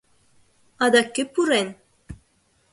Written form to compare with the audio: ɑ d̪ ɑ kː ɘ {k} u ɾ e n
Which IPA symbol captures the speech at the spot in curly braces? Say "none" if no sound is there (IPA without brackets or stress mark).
p